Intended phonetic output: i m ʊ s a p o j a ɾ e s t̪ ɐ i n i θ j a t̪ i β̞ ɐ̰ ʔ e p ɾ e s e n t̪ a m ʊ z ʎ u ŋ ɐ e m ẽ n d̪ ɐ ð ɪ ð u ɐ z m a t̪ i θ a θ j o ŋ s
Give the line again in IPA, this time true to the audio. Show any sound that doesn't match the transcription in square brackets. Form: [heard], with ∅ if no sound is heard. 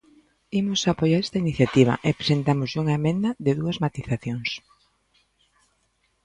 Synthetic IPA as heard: i m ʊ s a p o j a ɾ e s t̪ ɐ i n i θ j a t̪ i β̞ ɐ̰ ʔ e p ɾ e s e n t̪ a m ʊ z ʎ u ŋ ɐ e m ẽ n d̪ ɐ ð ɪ ð u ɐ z m a t̪ i θ a θ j o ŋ s